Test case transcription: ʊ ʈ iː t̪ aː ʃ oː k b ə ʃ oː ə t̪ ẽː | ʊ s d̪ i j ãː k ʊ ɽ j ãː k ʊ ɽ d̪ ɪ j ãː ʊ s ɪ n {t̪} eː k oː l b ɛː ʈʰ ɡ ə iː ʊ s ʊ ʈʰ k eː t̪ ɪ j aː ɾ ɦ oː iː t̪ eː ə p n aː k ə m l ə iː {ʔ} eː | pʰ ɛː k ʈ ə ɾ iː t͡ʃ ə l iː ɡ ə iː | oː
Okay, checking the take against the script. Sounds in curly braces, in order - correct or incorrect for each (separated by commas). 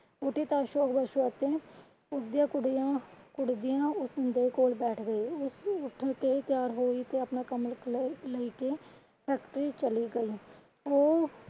incorrect, incorrect